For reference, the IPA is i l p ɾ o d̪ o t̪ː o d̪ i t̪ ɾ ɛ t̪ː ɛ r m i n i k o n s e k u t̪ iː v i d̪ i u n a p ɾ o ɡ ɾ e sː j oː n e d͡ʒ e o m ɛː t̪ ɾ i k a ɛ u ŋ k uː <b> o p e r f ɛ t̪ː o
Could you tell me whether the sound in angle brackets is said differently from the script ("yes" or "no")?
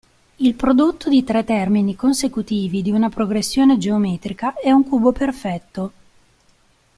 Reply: no